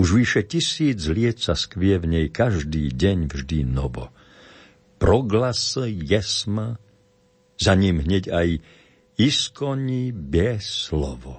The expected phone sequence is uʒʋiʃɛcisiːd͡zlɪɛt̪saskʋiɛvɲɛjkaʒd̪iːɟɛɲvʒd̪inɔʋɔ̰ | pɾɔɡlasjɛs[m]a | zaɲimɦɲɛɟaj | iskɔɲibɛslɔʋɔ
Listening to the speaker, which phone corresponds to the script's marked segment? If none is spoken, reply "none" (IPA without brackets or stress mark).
m